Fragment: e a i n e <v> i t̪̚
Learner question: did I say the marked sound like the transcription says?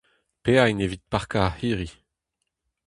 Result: yes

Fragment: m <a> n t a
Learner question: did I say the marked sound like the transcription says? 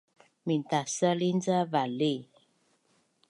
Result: no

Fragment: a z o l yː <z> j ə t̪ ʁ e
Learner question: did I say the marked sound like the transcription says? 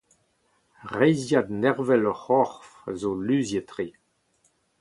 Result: yes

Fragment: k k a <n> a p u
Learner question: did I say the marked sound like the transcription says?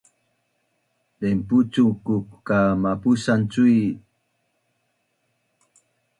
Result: no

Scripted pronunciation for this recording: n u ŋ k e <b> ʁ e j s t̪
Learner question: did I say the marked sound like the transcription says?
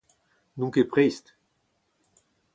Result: no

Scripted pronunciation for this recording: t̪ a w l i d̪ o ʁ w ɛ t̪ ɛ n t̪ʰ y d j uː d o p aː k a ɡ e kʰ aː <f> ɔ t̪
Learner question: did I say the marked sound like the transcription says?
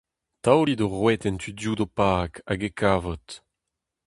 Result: no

